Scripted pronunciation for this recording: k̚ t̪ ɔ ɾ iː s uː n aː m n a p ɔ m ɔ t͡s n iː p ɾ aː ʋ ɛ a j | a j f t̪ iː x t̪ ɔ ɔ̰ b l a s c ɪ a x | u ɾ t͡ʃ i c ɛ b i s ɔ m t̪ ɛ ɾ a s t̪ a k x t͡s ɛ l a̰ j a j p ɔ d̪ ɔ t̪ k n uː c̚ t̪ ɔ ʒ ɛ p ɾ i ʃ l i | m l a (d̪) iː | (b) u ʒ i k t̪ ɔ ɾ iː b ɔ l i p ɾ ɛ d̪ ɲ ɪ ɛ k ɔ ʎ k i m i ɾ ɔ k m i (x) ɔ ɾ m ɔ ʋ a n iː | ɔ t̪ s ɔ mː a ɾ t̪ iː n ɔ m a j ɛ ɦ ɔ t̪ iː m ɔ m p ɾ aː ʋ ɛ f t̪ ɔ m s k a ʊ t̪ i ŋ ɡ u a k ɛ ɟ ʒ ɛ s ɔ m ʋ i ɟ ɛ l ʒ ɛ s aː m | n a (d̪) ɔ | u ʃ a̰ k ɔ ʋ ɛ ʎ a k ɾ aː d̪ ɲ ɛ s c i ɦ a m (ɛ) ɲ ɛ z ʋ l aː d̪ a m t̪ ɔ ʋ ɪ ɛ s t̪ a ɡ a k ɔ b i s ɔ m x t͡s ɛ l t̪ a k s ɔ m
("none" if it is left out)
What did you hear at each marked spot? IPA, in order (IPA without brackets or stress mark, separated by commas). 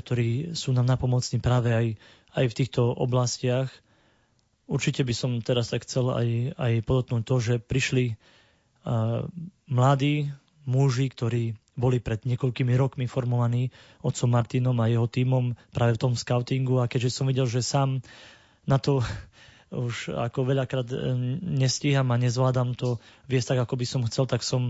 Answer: d̪, m, f, t̪, a